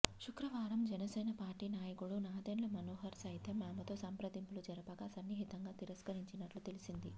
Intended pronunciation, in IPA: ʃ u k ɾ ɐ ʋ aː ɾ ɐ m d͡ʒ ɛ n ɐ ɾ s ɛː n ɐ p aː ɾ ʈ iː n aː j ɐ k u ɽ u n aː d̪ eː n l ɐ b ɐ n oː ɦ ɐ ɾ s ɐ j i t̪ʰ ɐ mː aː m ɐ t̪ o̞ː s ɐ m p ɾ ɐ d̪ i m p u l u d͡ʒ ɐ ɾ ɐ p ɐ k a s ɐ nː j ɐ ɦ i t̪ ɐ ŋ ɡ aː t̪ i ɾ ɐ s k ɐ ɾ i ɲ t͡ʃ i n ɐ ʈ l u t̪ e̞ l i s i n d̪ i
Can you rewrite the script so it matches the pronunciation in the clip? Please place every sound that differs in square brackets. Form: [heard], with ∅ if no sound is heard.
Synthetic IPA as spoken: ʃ u k ɾ ɐ ʋ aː ɾ ɐ m d͡ʒ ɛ n ɐ [∅] s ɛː n ɐ p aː ɾ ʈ iː n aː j ɐ k u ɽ u n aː d̪ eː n l ɐ [m] ɐ n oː ɦ ɐ ɾ s ɐ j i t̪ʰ ɐ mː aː m ɐ t̪ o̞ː s ɐ m p ɾ ɐ d̪ i m p u l u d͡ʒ ɐ ɾ ɐ p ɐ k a s ɐ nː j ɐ ɦ i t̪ ɐ ŋ ɡ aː t̪ i ɾ ɐ s k ɐ ɾ i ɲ t͡ʃ i n ɐ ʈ l u t̪ e̞ l i s i n d̪ i